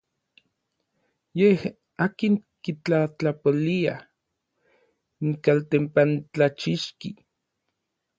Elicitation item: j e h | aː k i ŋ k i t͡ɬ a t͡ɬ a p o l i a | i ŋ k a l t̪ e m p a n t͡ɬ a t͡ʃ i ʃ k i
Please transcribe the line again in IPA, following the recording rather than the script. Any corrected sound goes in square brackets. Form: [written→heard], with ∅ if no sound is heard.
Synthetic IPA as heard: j e h | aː k i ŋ k i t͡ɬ a t͡ɬ a p o l i a | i ŋ k a l t̪ e m p a n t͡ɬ a t͡ʃ i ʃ k i